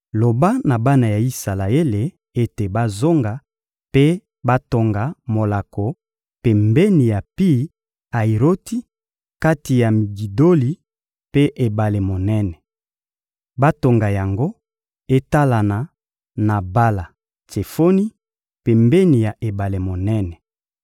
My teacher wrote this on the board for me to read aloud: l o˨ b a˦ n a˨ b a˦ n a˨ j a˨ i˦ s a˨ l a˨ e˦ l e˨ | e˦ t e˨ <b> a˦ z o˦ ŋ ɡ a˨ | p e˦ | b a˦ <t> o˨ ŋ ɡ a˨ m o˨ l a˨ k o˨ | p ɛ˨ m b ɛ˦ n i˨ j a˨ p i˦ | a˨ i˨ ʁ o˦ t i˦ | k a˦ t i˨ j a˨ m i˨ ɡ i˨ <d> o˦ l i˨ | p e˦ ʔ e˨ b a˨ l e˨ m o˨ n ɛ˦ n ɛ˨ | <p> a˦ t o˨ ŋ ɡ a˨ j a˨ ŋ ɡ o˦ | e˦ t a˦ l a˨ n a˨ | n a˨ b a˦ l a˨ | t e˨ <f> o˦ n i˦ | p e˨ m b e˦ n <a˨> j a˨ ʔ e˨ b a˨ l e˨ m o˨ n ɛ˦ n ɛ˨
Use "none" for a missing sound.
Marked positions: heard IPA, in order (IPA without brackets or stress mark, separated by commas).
b, t, d, b, f, i˨